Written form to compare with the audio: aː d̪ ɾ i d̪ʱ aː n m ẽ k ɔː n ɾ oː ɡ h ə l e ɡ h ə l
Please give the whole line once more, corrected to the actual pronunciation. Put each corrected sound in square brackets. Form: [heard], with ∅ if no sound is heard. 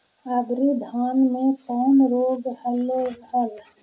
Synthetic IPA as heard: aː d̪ ɾ i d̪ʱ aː n m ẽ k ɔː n ɾ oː ɡ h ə l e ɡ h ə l